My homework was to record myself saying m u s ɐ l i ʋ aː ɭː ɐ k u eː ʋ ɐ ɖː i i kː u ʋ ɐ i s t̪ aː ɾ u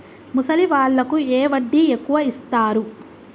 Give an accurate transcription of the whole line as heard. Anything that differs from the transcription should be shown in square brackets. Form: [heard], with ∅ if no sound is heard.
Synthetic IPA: m u s ɐ l i ʋ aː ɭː ɐ k u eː ʋ ɐ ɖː i [e] kː u ʋ ɐ i s t̪ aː ɾ u